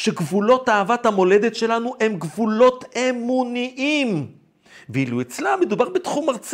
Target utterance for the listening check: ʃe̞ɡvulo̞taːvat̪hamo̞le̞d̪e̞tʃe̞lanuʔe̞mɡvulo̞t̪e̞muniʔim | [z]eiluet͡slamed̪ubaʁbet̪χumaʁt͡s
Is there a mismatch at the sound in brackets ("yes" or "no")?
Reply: yes